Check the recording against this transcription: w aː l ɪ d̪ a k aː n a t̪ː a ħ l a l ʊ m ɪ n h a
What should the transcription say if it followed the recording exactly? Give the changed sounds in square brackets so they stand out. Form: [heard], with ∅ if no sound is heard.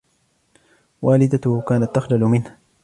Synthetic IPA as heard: w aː l ɪ d̪ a k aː n a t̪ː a [x] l a l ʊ m ɪ n h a